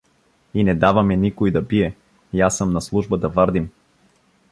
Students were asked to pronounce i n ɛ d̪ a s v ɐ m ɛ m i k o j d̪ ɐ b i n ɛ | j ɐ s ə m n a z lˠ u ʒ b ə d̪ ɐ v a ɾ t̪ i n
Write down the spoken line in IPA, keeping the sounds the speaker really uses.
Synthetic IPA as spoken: i n ɛ d̪ a v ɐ m ɛ n i k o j d̪ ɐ b i ɛ | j a s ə m n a s lˠ u ʒ b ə d̪ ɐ v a ɾ d̪ i m